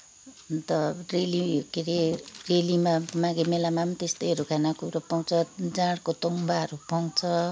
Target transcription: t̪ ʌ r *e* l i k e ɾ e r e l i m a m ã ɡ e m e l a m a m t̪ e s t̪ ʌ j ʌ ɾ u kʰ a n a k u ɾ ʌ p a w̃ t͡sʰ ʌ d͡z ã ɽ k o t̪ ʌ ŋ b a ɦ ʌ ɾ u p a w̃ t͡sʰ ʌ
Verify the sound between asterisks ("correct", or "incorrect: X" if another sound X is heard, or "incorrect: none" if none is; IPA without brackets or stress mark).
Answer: correct